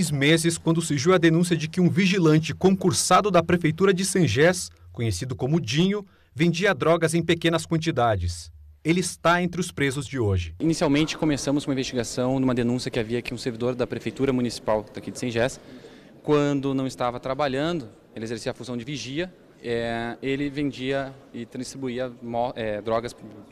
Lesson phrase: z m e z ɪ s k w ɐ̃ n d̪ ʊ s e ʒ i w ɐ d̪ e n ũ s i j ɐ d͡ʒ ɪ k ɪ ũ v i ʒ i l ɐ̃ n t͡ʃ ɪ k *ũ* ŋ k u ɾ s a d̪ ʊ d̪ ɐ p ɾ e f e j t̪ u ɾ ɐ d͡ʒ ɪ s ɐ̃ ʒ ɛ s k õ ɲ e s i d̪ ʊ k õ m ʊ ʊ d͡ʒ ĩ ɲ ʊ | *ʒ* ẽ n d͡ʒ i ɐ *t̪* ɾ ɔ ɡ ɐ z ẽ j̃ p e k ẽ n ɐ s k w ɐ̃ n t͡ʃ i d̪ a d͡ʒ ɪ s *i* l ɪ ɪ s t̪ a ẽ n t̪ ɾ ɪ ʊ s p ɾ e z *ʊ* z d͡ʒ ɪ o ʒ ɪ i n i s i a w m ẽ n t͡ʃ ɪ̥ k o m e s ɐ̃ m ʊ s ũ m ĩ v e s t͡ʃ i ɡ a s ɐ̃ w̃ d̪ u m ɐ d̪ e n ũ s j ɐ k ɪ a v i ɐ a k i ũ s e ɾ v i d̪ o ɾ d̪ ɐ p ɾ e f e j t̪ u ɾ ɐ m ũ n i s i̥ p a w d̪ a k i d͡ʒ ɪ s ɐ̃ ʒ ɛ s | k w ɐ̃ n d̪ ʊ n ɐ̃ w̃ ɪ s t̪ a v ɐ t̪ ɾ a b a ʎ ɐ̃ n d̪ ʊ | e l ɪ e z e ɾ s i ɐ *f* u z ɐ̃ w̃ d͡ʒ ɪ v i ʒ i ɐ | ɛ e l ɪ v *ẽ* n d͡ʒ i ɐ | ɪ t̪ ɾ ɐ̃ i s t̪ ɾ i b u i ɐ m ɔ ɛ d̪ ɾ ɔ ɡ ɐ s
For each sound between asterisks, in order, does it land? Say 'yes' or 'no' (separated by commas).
no, no, no, no, yes, yes, yes